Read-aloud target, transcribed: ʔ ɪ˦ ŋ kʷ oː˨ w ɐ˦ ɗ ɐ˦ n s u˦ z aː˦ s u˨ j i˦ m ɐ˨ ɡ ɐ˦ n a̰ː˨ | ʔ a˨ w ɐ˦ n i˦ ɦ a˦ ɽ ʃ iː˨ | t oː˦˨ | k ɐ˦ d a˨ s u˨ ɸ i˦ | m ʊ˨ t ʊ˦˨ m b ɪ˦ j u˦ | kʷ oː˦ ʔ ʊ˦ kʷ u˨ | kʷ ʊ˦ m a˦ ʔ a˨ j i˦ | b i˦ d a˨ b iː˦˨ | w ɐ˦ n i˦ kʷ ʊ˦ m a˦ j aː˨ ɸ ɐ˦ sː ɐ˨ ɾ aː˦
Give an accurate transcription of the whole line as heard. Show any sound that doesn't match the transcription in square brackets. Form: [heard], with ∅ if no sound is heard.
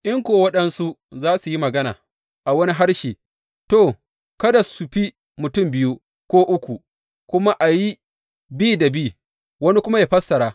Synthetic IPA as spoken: ʔ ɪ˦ ŋ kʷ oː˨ w ɐ˦ ɗ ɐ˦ n s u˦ z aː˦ s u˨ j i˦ m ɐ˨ ɡ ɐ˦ n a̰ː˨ | ʔ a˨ w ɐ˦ n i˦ ɦ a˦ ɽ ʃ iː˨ | t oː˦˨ | k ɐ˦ d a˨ s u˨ ɸ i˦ | m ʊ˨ t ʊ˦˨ m b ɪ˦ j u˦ | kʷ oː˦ ʔ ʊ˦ kʷ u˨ | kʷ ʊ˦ m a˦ ʔ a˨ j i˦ | b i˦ d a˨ b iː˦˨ | w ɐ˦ n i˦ kʷ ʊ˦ m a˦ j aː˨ ɸ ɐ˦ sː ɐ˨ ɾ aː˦